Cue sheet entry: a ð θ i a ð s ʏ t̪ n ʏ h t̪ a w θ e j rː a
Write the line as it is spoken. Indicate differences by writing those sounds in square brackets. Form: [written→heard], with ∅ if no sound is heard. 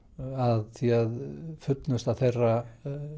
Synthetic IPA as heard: a ð θ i a ð [s→f] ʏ t̪ n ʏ [h→s] t̪ a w θ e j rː a